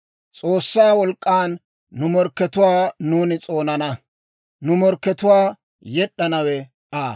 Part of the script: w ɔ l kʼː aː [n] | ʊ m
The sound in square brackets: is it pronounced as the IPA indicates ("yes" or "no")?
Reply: no